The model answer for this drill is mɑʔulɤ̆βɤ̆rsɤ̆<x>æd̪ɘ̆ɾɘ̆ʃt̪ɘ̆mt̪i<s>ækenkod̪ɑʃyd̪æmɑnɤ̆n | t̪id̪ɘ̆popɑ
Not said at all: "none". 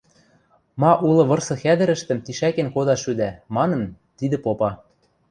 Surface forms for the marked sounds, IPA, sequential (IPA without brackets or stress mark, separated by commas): x, ʃ